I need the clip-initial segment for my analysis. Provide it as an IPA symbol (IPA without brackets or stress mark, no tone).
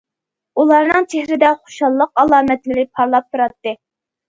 u